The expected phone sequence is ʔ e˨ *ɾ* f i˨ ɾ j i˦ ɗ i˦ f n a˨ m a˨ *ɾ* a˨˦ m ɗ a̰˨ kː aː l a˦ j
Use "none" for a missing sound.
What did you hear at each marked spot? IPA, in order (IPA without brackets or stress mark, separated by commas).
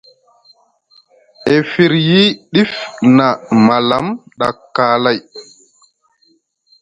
none, l